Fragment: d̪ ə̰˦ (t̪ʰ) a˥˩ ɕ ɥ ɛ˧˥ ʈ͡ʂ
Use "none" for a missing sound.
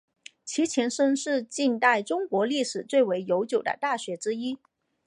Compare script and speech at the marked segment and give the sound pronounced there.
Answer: t̪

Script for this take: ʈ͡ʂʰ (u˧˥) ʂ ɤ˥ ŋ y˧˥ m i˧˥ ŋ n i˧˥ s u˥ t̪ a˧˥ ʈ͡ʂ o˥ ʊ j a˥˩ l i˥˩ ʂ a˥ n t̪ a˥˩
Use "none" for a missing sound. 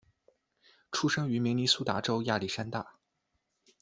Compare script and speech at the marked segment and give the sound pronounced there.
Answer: u˥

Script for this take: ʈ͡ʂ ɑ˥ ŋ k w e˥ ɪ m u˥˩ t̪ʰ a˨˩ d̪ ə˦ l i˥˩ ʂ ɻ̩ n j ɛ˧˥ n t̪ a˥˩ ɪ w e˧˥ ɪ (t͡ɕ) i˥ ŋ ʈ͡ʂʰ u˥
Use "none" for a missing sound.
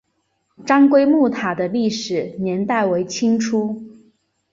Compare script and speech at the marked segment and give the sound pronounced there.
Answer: t͡ɕʰ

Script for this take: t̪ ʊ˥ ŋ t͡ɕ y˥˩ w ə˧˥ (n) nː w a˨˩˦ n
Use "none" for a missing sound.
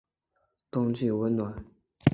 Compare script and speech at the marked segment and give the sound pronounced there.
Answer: n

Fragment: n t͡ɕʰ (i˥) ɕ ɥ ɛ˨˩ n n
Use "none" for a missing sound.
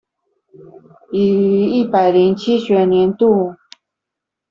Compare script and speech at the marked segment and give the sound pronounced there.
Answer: i˥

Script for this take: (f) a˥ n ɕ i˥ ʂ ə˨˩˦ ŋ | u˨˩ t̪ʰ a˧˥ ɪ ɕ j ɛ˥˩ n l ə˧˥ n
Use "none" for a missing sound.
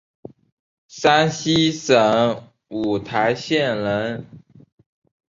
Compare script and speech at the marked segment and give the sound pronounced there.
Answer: s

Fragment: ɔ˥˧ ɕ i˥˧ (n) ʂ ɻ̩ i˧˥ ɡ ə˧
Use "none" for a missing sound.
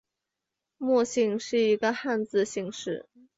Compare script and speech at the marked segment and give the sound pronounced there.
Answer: ŋ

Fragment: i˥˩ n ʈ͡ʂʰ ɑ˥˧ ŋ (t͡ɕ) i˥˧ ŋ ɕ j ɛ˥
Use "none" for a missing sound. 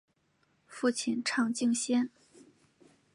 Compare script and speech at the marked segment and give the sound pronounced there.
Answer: t͡ɕ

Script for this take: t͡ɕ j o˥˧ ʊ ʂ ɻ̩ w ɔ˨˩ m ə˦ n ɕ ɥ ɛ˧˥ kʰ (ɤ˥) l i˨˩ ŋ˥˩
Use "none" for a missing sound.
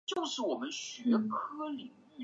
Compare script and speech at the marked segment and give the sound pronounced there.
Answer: ɤ˥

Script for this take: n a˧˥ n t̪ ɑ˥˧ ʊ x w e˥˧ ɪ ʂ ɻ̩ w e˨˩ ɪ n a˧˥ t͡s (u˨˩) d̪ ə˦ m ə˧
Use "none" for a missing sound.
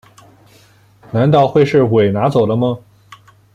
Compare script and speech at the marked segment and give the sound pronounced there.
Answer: o˨˩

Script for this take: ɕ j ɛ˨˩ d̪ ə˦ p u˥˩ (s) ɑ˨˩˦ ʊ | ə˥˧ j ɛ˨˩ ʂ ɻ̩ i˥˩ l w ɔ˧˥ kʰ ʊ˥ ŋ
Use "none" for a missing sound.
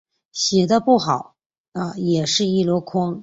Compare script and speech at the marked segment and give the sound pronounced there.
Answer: x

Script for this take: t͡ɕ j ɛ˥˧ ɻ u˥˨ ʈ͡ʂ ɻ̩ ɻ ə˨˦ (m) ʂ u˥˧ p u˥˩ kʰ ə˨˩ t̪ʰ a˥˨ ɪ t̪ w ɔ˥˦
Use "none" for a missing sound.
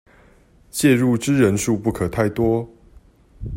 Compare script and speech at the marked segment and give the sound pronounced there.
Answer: n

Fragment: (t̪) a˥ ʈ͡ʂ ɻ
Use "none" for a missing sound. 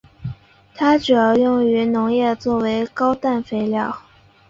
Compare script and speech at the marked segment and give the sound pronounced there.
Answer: t̪ʰ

